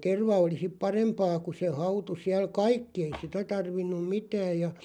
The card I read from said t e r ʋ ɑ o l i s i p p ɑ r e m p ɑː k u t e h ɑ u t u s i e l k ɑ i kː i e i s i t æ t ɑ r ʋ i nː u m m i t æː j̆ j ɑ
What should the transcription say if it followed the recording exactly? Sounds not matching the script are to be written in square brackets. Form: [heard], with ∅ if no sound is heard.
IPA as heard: t e r ʋ ɑ o l i s i p p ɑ r e m p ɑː k u [s] e h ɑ u t u s i [æ] l k ɑ i kː i e i s i t æ t ɑ r ʋ i nː u m m i t æː j̆ j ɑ